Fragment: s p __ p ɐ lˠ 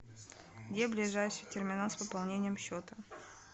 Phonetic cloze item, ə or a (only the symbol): ə